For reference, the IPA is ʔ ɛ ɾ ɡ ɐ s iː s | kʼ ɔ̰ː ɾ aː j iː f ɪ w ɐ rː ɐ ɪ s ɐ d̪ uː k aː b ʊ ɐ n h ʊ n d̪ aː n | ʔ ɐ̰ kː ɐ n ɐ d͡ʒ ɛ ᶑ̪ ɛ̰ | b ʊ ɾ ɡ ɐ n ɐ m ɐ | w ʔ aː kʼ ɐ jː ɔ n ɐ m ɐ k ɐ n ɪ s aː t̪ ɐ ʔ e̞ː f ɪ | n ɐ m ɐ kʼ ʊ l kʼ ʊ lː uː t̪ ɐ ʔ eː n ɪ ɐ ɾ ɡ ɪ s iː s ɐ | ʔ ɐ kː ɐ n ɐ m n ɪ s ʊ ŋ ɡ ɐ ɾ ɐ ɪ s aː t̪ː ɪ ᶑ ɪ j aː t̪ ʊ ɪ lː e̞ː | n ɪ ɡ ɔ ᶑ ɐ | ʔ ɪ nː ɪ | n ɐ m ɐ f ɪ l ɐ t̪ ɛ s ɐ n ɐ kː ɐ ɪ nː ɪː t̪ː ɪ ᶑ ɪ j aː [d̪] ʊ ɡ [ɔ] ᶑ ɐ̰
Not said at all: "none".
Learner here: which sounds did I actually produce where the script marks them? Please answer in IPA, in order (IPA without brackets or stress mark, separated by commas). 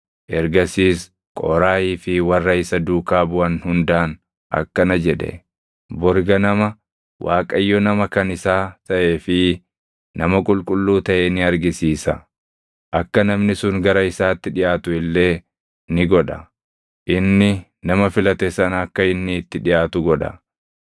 t̪, ɔ